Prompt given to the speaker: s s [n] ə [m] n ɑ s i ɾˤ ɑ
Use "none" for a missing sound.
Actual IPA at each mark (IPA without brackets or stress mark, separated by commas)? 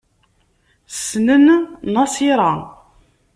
n, n